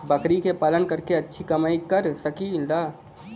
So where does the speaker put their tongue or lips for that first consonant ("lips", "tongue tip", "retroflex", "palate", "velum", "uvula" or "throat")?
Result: lips